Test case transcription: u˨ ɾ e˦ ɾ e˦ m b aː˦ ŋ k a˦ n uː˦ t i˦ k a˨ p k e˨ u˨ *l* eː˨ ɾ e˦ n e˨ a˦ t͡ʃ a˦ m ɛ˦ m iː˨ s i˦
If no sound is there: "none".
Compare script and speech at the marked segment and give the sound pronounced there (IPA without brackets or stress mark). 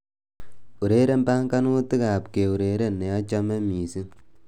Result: ɾ